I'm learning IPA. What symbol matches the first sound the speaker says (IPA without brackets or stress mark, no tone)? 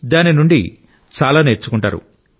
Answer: d̪